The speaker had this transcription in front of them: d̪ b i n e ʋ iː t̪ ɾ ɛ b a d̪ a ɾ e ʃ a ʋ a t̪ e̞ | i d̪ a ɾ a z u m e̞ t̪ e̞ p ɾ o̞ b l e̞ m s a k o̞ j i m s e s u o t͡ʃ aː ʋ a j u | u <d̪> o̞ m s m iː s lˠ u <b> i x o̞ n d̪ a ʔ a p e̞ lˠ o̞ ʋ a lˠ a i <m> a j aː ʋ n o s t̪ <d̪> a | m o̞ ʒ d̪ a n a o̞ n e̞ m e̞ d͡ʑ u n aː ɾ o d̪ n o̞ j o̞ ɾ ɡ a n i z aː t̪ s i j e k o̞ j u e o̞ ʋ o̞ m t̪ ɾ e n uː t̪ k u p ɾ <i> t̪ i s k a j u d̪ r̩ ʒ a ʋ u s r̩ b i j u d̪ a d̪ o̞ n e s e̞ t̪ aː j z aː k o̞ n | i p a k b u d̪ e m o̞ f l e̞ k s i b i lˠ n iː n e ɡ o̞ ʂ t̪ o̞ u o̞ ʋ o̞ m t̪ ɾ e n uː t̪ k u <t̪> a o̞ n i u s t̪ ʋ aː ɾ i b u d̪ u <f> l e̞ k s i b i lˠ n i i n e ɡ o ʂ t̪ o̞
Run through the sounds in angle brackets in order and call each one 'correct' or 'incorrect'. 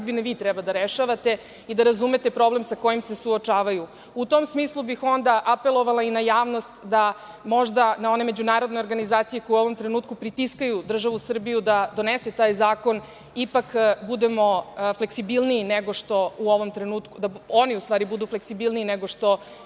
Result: incorrect: t̪, correct, incorrect: n, correct, correct, incorrect: d̪, correct

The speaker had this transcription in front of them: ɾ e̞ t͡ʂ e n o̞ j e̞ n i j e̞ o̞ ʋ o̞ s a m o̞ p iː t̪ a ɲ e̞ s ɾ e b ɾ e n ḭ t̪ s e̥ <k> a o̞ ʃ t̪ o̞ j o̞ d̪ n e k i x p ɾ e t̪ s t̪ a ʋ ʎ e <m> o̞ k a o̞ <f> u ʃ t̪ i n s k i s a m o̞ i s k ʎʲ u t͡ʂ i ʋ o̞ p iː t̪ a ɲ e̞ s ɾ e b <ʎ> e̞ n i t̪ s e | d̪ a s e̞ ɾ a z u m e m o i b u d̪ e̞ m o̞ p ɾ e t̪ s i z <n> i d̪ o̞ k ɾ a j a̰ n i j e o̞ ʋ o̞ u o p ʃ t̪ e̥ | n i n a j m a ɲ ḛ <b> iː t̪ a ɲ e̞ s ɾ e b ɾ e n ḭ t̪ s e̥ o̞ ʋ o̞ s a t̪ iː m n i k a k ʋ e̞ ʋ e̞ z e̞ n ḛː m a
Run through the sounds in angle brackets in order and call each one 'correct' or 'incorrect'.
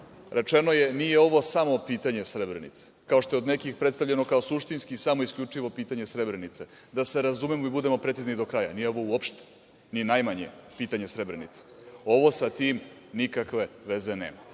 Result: correct, incorrect: n, incorrect: s, incorrect: ɾ, correct, incorrect: p

